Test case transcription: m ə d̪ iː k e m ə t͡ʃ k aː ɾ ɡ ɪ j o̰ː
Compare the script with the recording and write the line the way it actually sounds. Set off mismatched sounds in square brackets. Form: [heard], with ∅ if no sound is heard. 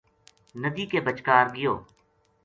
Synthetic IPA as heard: [n] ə d̪ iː k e [b] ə t͡ʃ k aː ɾ ɡ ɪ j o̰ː